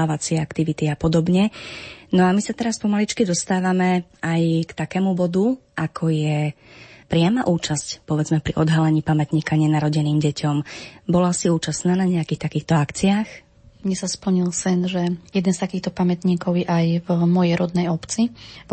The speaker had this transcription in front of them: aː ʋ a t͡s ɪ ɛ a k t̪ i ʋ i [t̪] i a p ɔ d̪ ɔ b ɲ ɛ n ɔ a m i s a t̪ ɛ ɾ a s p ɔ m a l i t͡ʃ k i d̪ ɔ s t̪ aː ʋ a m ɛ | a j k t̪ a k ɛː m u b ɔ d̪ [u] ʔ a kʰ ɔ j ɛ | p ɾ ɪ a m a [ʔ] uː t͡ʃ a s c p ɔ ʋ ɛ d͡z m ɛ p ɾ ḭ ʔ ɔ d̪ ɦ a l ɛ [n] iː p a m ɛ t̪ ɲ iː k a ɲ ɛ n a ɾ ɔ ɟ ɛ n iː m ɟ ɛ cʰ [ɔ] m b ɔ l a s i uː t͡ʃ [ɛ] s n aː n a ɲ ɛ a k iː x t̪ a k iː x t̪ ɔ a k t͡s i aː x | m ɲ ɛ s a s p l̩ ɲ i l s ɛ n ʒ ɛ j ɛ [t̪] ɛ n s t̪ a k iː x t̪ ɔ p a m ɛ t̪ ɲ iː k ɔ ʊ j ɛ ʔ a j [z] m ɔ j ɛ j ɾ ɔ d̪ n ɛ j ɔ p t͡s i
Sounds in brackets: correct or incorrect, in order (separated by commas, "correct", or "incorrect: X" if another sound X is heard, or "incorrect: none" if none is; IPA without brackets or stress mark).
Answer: correct, correct, correct, incorrect: ɲ, correct, incorrect: a, incorrect: d̪, incorrect: v